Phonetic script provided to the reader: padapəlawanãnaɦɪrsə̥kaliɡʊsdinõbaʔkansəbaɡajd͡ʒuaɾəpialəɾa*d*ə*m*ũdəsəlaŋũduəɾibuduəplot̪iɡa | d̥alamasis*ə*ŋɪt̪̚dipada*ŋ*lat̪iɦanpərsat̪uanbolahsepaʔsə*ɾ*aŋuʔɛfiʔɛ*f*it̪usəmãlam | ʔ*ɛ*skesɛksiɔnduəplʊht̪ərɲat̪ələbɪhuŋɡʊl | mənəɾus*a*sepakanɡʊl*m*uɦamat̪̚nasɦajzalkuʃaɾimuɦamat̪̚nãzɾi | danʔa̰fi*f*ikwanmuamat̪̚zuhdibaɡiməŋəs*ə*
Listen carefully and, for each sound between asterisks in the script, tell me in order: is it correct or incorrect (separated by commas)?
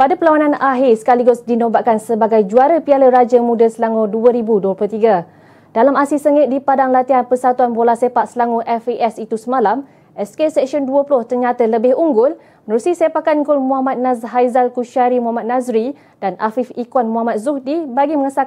incorrect, correct, correct, correct, incorrect, incorrect, correct, incorrect, correct, correct, incorrect